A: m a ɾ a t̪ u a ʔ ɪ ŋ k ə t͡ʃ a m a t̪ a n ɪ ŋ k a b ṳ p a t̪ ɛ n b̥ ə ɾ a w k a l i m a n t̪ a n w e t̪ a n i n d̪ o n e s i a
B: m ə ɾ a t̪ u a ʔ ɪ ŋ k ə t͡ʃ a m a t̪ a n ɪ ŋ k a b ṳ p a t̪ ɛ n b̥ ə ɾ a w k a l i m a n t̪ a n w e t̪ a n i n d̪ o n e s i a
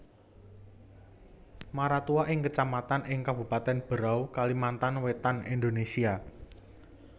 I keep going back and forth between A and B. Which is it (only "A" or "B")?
A